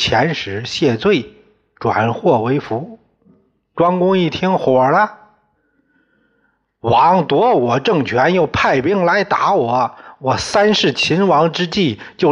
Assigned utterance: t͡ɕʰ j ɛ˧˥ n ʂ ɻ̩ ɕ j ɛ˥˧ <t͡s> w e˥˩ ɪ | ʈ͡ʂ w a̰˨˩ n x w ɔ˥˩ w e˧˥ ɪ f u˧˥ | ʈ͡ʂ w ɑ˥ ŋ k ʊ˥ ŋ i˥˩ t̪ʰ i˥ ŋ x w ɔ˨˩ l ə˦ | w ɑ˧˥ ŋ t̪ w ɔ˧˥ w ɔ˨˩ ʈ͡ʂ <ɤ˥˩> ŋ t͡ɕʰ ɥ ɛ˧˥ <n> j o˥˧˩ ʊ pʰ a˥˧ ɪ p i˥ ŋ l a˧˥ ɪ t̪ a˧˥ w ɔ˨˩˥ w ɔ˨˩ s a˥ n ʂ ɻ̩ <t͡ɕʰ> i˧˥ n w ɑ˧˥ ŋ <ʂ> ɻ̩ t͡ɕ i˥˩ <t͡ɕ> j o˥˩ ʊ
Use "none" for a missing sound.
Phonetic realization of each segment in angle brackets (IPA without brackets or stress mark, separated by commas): t͡s, ɤ˥˩, n, t͡ɕʰ, ʈ͡ʂ, t͡ɕ